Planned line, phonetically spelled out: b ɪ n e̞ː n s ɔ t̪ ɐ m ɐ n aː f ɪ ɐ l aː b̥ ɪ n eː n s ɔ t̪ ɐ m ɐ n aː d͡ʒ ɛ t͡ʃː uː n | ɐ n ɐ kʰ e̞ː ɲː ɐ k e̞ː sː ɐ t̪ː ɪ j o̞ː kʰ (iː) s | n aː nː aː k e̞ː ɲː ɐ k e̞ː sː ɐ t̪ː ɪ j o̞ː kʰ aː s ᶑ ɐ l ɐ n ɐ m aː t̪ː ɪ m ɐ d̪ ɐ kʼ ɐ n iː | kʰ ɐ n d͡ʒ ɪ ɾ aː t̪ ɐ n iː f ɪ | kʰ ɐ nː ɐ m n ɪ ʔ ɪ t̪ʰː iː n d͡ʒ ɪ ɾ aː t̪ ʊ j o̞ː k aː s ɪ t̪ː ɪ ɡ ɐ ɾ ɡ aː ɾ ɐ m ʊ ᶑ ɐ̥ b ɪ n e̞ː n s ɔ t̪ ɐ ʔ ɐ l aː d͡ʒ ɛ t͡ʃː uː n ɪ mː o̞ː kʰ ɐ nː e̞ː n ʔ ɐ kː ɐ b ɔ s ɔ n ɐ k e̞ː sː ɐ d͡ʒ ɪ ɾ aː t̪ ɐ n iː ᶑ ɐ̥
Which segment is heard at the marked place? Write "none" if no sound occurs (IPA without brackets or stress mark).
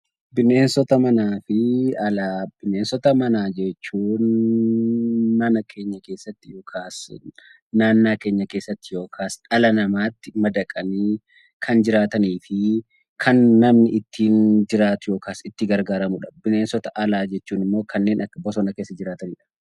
aː